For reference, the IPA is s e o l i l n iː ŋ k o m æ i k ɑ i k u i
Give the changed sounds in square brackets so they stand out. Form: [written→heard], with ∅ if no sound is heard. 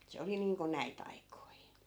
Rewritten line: s e o l i [l→∅] n iː ŋ k o [m→n] æ i [k→t] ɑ i k [u→o] i